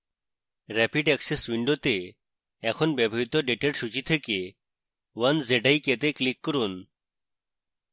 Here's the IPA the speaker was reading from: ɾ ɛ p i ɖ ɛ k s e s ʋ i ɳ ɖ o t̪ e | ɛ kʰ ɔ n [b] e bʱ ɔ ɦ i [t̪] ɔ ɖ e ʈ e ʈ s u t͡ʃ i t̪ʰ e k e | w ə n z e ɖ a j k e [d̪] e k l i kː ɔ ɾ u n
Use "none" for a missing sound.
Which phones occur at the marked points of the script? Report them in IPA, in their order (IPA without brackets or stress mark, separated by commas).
b, t̪, t̪